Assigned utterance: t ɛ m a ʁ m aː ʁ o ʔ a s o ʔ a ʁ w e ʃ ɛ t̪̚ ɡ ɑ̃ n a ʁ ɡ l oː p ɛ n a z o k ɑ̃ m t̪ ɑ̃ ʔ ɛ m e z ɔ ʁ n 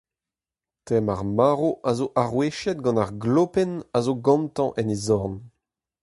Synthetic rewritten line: t ɛ m a ʁ m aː ʁ o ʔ a z o ʔ a ʁ w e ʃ ɛ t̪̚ ɡ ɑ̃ n a ʁ ɡ l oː p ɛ n a z o ɡ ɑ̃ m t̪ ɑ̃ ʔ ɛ n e z ɔ ʁ n